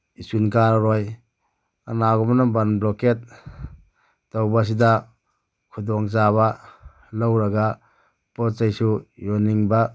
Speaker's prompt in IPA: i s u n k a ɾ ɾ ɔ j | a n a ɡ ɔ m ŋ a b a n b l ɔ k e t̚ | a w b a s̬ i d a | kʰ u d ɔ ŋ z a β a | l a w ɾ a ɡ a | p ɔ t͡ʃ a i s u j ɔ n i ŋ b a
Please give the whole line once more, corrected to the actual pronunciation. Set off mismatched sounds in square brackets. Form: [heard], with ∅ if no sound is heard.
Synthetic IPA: i s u n k a ɾ ɾ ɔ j | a n a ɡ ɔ m [n] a b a n b l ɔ k e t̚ | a w b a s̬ i d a | kʰ u d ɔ ŋ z a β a | l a w ɾ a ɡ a | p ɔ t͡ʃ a [j] s u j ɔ n i ŋ b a

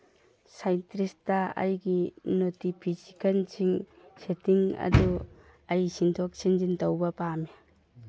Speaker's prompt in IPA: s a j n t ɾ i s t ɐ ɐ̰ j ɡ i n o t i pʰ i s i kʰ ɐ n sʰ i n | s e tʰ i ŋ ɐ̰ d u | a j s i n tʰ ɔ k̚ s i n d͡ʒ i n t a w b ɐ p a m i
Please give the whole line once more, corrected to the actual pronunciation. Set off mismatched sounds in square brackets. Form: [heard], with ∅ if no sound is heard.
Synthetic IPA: s a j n t ɾ i s t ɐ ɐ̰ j ɡ i n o t i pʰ i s i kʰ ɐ n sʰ i [ŋ] | s e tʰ i ŋ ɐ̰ d u | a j s i n tʰ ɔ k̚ s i n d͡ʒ i n t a w b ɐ p a m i

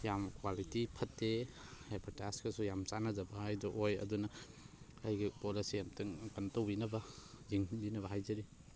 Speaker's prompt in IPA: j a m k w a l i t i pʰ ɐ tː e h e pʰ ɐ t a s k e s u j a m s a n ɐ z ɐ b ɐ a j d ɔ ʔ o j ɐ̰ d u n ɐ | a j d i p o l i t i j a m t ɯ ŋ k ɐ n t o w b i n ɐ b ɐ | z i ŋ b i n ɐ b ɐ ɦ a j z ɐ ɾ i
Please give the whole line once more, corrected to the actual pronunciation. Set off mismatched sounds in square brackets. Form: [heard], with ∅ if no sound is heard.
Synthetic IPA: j a m k w a l i t i pʰ ɐ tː e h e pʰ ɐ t a s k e s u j a m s a n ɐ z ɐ b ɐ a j d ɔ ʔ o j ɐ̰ d u n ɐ | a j [ɡ] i p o l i [s] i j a m t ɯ ŋ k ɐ n t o w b i n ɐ b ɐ | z i ŋ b i n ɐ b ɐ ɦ a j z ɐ ɾ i

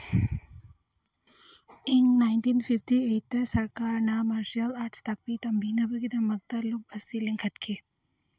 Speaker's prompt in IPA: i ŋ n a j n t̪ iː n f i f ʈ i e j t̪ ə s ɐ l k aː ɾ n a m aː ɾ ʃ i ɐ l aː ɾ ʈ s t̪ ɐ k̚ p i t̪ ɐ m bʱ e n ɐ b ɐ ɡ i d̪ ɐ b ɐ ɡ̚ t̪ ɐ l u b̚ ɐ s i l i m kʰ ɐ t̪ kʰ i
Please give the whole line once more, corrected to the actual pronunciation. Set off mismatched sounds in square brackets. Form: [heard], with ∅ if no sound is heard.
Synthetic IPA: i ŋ n a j n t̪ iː n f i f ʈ i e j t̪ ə s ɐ [ɾ] k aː ɾ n a m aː ɾ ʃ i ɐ l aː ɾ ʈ s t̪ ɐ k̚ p i t̪ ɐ m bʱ [i] n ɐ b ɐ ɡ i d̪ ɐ [m] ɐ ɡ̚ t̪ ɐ l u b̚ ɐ s i l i [ŋ] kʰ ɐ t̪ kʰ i

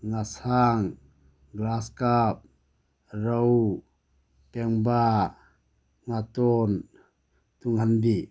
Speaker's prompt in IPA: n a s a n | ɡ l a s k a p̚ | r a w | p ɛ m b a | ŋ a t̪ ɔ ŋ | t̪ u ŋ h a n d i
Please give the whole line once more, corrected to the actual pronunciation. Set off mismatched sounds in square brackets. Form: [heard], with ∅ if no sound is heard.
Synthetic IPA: [ŋ] a s a [ŋ] | ɡ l a s k a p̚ | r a w | p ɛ [ŋ] b a | ŋ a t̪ ɔ [n] | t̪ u ŋ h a n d i

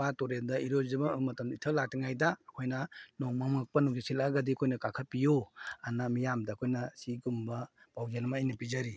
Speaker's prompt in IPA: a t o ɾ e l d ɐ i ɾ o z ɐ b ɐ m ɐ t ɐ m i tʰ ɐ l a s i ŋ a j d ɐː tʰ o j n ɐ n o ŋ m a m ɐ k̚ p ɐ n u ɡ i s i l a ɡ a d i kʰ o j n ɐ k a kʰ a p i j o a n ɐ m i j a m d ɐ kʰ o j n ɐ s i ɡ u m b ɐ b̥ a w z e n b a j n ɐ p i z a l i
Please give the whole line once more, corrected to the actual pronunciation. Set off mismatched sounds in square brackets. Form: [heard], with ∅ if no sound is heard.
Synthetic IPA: a t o ɾ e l d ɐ i ɾ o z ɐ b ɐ m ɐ t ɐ m i tʰ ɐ l a [t] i ŋ a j d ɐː [kʰ] o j n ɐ n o ŋ m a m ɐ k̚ p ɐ n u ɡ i s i l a ɡ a d i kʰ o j n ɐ k a kʰ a p i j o a n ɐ m i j a m d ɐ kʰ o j n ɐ s i ɡ u m b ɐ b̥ a w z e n [m] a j n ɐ p i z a [ɾ] i

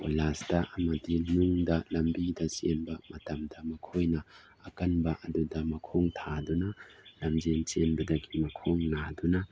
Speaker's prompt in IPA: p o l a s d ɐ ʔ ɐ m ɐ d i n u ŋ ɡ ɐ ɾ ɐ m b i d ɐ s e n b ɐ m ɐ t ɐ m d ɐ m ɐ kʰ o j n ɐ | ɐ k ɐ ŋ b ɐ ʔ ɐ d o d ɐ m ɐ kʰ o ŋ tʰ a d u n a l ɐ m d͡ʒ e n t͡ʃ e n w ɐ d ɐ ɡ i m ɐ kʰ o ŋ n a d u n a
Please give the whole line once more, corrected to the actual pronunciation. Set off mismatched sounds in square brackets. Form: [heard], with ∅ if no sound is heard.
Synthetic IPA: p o l a s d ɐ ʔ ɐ m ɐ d i n u ŋ [d] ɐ [l] ɐ m b i d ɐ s e n b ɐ m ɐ t ɐ m d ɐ m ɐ kʰ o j n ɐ | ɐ k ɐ [n] b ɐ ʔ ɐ d [u] d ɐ m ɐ kʰ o ŋ tʰ a d u n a l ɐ m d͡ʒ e n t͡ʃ e n [b] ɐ d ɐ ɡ i m ɐ kʰ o ŋ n a d u n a

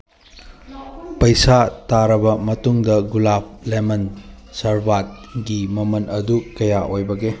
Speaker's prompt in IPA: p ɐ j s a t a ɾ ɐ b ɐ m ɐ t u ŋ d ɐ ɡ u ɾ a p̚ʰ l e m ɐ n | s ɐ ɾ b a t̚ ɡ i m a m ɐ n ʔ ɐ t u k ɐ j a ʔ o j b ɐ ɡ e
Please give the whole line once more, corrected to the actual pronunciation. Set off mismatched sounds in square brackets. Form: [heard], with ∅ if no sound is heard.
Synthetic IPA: p ɐ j s a t a ɾ ɐ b ɐ m ɐ t u ŋ d ɐ ɡ u [l] a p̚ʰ l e m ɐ n | s ɐ ɾ b a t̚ ɡ i m [ɐ] m ɐ n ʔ ɐ [d] u k ɐ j a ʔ o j b ɐ ɡ e

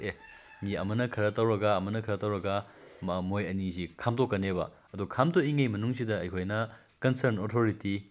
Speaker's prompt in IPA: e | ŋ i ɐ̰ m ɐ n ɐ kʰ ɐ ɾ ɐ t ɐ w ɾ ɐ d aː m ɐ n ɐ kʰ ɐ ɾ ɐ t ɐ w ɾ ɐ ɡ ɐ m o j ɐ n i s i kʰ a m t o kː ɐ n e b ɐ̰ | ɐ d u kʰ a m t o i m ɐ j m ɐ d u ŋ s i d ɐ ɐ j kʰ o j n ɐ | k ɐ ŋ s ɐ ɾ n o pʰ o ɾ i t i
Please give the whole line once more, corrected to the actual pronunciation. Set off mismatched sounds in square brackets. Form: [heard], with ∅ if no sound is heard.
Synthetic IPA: e | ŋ i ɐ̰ m ɐ n ɐ kʰ ɐ ɾ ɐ t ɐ w ɾ ɐ [ɡ] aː m ɐ n ɐ kʰ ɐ ɾ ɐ t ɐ w ɾ ɐ ɡ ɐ m o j ɐ n i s i kʰ a m t o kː ɐ n e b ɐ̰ | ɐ d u kʰ a m t o i [ŋ] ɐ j m ɐ [n] u ŋ s i d ɐ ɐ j kʰ o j n ɐ | k ɐ [n] s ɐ ɾ n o [tʰ] o ɾ i t i

